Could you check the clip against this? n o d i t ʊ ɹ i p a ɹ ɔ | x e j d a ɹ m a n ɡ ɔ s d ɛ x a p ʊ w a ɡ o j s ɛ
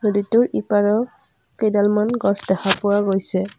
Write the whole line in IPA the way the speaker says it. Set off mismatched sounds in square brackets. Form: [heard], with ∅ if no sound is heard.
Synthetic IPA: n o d i t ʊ ɹ i p a ɹ ɔ | [k] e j d a [l] m a n ɡ ɔ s d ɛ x a p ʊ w a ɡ o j s ɛ